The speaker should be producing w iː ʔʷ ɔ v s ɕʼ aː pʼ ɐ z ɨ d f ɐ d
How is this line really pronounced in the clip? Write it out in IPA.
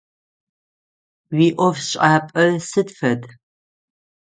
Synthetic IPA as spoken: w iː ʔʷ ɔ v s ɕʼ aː pʼ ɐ s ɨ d f ɐ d